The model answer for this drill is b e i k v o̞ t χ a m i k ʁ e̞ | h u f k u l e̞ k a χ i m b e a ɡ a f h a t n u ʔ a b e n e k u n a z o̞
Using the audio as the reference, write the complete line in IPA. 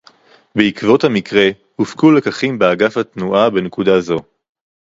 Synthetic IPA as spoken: b e i k v o̞ t h a m i k ʁ e̞ | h u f k u l e̞ k a χ i m b e a ɡ a f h a t n u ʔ a b e n e k u d a z o̞